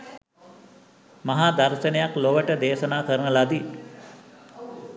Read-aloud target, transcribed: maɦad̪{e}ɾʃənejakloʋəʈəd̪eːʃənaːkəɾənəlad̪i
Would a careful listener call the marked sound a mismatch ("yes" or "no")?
yes